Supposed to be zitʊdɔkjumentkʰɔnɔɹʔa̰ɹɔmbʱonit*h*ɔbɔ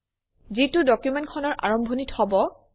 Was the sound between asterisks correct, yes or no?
yes